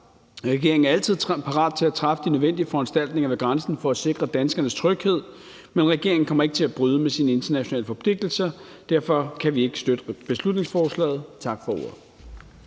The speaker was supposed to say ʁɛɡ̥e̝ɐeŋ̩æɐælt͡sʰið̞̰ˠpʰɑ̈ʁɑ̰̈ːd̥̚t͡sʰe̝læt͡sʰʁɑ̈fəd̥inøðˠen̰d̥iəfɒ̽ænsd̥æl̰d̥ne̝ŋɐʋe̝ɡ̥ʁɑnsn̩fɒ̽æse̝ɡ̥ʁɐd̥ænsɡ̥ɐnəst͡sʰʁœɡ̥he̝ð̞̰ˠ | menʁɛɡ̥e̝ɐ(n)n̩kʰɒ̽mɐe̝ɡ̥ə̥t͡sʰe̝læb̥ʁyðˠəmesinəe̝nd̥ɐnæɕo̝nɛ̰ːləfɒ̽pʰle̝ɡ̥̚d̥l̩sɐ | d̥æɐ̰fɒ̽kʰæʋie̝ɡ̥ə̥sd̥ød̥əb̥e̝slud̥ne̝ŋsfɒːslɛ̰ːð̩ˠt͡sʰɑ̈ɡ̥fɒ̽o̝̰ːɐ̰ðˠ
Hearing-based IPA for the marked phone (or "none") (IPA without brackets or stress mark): ŋ